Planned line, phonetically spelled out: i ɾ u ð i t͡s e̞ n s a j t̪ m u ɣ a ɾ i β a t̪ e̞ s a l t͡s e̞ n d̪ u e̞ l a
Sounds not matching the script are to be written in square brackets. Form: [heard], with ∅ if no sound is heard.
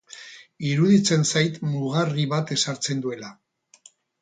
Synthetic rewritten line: i ɾ u ð i t͡s e̞ n s a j t̪ m u ɣ a [r] i β a t̪ e̞ s a [ɾ] t͡s e̞ n d̪ u e̞ l a